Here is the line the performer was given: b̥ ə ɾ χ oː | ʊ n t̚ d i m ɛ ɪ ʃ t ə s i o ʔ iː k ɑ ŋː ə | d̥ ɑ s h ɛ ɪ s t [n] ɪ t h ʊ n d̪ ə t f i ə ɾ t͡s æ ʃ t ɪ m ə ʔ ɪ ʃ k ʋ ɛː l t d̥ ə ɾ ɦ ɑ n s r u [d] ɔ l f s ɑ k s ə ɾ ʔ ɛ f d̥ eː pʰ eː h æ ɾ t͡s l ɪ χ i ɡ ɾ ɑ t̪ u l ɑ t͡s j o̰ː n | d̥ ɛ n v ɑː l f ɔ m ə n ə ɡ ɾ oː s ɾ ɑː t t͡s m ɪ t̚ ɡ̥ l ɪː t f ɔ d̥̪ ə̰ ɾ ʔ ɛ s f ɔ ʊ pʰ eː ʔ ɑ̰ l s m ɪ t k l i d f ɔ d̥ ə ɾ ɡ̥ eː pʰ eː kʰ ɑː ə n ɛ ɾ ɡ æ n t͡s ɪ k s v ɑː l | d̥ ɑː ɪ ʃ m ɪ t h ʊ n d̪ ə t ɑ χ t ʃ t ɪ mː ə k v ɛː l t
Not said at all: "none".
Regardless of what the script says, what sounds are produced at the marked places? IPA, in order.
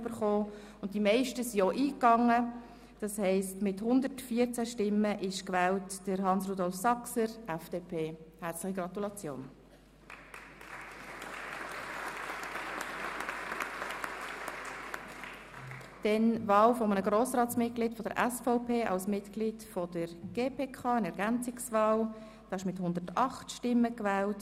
m, d

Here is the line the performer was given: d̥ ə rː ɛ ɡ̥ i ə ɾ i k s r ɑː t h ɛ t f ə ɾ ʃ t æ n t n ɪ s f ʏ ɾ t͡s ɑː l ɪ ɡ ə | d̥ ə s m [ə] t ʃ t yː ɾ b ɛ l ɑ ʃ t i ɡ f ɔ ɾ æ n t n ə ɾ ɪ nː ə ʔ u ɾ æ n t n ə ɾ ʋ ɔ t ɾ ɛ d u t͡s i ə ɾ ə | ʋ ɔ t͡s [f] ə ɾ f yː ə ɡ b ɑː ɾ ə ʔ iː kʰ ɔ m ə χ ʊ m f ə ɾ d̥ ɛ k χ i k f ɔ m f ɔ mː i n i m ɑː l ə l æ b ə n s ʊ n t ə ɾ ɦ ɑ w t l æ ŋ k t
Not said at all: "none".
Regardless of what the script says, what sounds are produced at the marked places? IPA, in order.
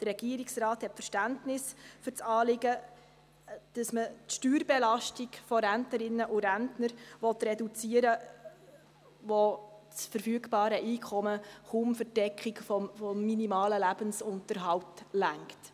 ə, f

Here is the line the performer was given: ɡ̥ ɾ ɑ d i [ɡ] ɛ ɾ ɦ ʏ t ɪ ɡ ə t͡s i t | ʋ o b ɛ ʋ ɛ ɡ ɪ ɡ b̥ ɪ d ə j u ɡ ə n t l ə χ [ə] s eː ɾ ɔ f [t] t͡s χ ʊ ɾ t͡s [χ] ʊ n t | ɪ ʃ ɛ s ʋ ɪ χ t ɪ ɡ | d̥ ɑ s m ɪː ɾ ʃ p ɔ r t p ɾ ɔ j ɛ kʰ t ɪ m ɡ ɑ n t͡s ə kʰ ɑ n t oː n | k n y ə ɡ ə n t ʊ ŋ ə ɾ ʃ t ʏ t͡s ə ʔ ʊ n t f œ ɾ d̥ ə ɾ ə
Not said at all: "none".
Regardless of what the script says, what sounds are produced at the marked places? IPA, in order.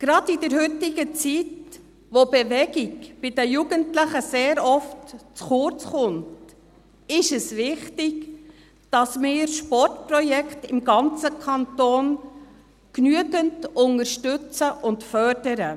d, ə, t, χ

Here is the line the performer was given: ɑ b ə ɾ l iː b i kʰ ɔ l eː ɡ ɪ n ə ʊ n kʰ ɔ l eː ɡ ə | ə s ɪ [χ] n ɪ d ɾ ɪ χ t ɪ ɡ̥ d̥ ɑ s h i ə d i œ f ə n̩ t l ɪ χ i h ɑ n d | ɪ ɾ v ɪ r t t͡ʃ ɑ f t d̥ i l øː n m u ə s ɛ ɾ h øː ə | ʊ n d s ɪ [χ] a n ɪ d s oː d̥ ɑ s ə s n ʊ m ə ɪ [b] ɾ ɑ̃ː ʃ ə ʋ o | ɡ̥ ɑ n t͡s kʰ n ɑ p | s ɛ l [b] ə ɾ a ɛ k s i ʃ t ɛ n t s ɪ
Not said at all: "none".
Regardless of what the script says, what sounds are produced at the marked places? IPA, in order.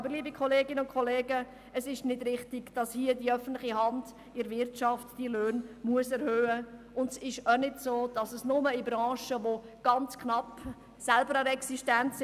ʃ, ʃ, b, b

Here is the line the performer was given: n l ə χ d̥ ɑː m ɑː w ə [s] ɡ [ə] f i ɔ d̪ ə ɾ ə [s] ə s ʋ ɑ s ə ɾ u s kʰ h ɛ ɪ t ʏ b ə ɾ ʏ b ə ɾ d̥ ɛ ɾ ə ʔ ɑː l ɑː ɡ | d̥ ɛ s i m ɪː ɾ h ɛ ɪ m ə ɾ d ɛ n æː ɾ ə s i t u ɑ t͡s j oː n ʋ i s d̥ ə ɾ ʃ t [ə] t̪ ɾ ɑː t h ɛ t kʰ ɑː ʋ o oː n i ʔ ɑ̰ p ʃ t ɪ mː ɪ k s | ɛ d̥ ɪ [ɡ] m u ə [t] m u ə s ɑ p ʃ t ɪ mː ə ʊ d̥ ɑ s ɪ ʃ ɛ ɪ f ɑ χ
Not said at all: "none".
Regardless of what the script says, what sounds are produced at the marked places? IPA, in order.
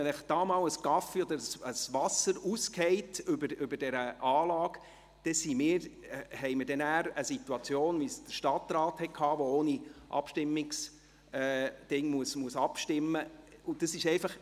s, ɑ, s, ɑ, ŋ, s

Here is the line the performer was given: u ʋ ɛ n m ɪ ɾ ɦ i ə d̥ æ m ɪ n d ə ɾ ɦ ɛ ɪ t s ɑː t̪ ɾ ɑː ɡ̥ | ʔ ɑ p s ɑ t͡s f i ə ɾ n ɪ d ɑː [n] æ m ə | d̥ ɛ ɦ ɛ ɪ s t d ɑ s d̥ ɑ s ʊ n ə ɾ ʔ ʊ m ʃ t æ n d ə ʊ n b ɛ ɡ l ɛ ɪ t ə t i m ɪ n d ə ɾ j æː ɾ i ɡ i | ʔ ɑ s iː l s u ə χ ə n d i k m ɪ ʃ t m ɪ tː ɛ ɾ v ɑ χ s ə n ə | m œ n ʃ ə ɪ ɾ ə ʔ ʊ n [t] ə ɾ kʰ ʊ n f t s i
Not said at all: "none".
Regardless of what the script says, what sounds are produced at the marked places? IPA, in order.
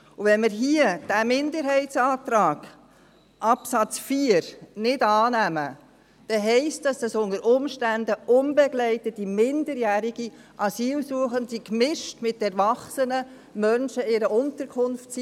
n, t

